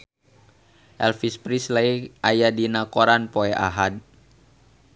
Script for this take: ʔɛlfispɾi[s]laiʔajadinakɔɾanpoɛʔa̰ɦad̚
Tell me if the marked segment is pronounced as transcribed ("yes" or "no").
yes